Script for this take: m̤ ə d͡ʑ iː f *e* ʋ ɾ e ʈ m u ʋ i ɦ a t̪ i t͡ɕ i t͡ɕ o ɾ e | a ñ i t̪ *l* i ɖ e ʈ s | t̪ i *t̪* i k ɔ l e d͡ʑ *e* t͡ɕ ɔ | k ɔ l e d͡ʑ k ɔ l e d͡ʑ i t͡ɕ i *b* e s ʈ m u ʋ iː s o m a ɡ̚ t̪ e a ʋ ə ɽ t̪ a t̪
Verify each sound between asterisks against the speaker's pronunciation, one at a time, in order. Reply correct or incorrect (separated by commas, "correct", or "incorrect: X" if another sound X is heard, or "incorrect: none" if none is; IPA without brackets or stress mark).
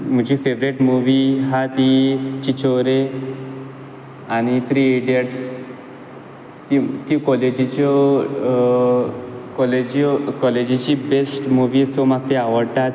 correct, incorrect: ɾ, correct, incorrect: i, correct